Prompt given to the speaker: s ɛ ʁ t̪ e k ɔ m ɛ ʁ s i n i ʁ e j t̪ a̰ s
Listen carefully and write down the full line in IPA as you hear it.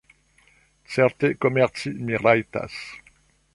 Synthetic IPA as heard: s ɛ ʁ t̪ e k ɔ m ɛ ʁ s i m i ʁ a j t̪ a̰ s